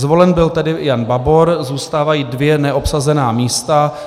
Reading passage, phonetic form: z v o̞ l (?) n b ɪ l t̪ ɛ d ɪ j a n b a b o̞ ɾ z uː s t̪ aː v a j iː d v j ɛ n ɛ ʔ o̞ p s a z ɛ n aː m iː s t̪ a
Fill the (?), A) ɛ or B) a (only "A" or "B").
A